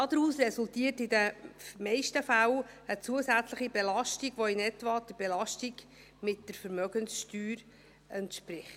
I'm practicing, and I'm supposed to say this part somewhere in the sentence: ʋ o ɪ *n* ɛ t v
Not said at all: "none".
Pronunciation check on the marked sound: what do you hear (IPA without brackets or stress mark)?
n